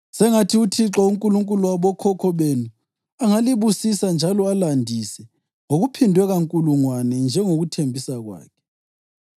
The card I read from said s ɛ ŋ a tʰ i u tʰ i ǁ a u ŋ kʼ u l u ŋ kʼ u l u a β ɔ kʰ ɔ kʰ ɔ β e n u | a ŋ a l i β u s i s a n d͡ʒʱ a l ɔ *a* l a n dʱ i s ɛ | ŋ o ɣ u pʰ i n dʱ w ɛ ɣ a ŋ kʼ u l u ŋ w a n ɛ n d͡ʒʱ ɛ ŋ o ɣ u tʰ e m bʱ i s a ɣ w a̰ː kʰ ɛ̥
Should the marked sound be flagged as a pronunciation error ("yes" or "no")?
no